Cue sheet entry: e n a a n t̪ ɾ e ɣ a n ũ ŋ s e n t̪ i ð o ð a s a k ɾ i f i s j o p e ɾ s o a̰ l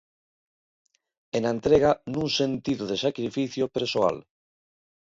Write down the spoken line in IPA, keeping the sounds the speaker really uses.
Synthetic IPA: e n a e n t̪ ɾ e ɣ a n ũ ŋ s e n t̪ i ð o ð e s a k ɾ i f i θ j o p e ɾ s o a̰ l